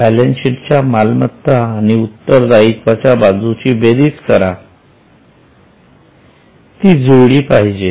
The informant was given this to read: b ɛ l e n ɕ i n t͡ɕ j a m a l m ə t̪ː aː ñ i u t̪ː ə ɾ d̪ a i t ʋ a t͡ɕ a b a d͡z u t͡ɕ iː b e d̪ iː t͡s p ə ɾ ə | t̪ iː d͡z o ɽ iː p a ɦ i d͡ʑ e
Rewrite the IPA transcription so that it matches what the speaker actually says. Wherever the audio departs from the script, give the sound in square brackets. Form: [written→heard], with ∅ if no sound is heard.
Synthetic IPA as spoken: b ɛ l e n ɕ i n t͡ɕ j a m a l m ə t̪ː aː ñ i u t̪ː ə ɾ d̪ a i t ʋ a t͡ɕ a b a d͡z u t͡ɕ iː b e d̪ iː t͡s [p→k] ə ɾ [ə→a] | t̪ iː d͡z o ɽ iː p a ɦ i d͡ʑ e